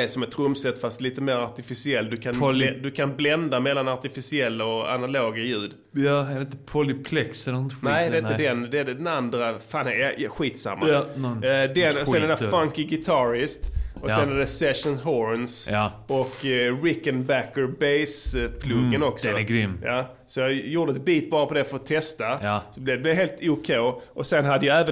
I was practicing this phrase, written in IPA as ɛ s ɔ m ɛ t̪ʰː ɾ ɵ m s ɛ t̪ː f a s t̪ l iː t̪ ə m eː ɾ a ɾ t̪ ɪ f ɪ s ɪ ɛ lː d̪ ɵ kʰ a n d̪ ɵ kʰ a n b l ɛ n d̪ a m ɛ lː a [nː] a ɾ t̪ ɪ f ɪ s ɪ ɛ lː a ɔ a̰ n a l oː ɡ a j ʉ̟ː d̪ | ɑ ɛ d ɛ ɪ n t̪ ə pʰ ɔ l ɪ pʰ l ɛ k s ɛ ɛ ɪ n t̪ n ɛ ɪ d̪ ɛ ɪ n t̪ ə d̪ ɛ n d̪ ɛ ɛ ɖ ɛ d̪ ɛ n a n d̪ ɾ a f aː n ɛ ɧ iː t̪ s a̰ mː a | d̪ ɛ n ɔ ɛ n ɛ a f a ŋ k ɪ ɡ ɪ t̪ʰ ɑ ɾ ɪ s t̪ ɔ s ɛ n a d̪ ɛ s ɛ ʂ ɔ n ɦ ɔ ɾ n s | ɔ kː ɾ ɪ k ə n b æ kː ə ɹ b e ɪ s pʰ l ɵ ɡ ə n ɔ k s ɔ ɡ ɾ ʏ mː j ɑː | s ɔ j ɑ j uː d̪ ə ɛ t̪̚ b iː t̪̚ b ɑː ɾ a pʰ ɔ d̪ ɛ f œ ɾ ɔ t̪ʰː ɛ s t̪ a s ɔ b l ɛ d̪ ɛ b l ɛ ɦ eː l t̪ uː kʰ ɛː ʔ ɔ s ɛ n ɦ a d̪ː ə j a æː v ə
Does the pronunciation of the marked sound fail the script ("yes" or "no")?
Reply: yes